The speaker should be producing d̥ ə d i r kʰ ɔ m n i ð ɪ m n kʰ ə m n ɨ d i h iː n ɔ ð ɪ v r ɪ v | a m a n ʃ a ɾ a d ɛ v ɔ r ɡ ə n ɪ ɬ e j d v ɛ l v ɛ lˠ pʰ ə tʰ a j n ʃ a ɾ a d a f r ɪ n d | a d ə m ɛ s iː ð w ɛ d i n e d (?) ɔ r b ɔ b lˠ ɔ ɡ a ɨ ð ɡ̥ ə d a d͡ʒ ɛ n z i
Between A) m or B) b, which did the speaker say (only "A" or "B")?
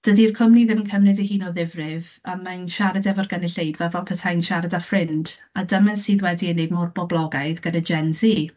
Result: A